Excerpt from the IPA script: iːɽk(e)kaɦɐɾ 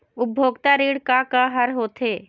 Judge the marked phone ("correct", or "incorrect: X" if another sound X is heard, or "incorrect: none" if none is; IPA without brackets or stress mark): incorrect: a